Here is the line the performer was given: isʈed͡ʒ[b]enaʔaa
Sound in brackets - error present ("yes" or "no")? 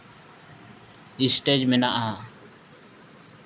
yes